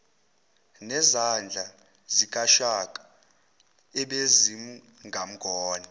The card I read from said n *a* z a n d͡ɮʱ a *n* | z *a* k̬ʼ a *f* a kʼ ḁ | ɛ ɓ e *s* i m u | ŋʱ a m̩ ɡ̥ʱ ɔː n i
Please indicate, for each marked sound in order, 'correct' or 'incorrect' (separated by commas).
incorrect, incorrect, incorrect, incorrect, incorrect